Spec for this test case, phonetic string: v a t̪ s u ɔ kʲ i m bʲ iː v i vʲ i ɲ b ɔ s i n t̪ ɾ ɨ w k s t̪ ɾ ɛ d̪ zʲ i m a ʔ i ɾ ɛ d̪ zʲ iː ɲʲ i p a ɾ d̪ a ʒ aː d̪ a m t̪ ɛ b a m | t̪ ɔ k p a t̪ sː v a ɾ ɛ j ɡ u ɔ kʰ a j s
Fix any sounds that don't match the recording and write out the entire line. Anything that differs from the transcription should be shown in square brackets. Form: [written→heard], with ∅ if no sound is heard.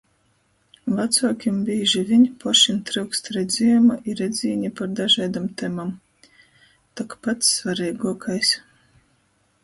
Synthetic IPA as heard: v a t̪ s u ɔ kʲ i m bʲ iː [v→ʒ] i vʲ i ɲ [b→p] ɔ [s→ʃ] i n t̪ ɾ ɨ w k s t̪ ɾ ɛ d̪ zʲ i m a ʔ i ɾ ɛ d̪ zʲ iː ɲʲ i p a ɾ d̪ a ʒ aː d̪ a m t̪ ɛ [b→m] a m | t̪ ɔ k p a t̪ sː v a ɾ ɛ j ɡ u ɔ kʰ a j s